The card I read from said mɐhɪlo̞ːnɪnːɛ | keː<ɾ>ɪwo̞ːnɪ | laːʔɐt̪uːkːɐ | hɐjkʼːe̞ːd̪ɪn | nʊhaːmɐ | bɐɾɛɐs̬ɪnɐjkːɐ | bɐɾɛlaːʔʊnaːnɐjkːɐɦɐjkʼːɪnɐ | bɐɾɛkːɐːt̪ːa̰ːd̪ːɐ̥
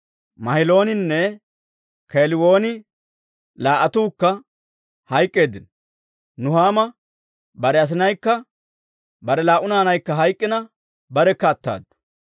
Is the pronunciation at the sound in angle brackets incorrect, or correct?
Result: incorrect